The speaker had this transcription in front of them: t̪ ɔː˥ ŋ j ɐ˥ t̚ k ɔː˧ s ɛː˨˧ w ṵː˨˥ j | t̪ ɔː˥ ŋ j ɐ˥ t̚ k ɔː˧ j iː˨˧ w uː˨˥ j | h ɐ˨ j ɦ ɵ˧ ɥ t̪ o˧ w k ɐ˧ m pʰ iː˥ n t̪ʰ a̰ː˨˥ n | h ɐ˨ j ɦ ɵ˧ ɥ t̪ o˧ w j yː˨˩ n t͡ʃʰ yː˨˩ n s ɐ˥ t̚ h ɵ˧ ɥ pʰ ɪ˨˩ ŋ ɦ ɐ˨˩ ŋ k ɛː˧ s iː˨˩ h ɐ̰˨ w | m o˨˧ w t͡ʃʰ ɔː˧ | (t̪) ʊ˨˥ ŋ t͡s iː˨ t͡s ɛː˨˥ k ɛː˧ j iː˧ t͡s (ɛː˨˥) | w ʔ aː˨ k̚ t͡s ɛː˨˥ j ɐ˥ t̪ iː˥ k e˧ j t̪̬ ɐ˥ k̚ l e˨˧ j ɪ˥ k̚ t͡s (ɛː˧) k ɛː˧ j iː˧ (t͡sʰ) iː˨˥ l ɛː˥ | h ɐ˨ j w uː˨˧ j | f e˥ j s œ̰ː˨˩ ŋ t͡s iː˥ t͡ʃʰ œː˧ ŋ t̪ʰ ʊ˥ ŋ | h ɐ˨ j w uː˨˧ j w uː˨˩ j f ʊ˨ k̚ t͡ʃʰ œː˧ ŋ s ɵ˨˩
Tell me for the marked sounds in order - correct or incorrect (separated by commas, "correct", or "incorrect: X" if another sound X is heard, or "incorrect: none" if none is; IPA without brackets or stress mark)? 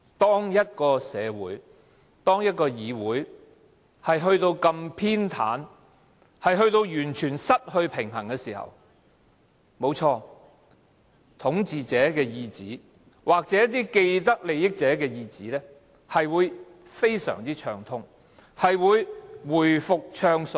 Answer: incorrect: t̪ʰ, incorrect: iː˨˥, incorrect: ɛː˨˥, incorrect: t͡s